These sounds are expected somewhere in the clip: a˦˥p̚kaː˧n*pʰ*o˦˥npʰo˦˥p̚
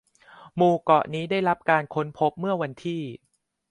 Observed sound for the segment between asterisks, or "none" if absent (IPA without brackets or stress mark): kʰ